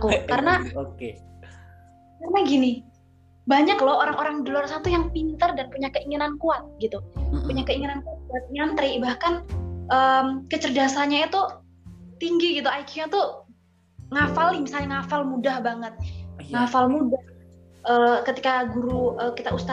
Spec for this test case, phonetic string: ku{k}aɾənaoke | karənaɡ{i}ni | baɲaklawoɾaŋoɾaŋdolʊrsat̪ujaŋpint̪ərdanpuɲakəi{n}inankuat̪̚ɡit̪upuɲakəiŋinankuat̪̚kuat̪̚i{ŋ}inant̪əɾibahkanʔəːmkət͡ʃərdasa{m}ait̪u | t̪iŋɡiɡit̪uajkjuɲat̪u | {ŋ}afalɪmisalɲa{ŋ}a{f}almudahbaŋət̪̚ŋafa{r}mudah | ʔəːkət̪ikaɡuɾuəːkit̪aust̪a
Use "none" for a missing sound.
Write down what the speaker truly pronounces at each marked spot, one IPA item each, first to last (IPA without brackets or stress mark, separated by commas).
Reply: k, i, ŋ, ŋ, ɲ, ŋ, ŋ, f, l